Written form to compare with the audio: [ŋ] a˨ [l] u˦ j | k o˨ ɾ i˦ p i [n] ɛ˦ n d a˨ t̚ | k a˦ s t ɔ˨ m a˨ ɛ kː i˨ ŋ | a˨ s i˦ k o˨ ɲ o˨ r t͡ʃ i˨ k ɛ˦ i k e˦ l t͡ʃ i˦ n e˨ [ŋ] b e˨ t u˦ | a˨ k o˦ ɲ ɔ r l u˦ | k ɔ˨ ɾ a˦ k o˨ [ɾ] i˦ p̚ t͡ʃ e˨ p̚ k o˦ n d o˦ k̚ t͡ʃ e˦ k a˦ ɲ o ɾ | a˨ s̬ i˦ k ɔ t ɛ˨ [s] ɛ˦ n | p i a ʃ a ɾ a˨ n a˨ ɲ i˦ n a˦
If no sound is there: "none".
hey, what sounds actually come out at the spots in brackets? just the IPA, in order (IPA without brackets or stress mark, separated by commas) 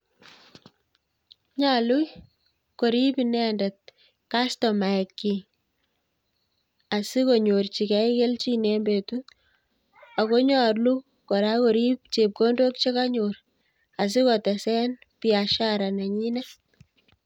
ɲ, l, n, m, ɾ, s